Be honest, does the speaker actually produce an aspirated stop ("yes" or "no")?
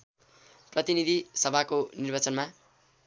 no